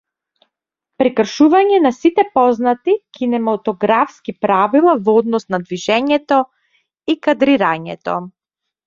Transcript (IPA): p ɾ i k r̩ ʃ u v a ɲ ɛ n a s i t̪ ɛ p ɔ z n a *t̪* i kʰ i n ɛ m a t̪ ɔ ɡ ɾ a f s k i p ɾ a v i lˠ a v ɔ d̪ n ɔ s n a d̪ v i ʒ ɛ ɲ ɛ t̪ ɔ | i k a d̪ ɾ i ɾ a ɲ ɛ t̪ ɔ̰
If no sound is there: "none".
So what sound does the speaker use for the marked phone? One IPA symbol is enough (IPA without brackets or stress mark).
t̪